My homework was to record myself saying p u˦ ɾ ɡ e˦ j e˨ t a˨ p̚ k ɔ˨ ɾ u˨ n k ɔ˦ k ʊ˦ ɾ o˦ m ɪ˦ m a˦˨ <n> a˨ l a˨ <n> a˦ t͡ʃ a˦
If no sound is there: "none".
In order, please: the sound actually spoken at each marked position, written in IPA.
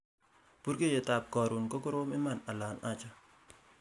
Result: n, n

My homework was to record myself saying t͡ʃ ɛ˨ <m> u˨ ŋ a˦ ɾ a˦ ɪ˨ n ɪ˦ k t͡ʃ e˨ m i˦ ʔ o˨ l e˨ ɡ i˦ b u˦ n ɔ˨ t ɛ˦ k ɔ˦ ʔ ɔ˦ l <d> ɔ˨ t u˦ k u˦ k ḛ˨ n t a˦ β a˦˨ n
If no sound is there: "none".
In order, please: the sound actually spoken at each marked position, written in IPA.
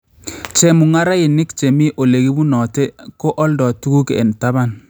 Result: m, d

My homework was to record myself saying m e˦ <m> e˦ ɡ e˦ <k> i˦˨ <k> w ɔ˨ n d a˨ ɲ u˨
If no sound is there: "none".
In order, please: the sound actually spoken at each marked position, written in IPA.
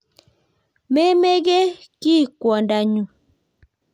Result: m, k, k

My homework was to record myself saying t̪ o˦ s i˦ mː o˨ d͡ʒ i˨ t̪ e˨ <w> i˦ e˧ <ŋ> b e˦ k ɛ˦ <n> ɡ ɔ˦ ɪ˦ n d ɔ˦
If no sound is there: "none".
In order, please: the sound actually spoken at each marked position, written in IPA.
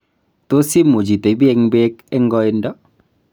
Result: b, ŋ, ŋ

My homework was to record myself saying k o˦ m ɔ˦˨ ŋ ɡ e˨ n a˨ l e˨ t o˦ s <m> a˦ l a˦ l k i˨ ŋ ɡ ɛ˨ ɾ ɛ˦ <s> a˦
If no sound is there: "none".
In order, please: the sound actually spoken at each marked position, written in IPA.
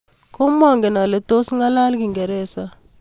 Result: ŋ, s

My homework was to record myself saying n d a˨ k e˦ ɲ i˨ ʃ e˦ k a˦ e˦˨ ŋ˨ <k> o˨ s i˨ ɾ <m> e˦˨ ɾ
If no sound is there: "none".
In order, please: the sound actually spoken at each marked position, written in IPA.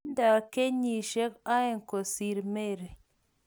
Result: k, m

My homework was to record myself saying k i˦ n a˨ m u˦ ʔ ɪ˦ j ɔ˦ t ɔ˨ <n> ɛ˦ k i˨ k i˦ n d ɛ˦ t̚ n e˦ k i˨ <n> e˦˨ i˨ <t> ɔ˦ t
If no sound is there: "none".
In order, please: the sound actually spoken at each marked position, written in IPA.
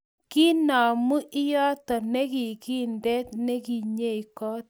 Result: n, ɲ, k

